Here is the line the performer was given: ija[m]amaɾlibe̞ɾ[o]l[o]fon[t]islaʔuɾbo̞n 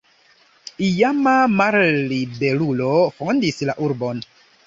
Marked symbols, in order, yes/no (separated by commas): yes, no, yes, no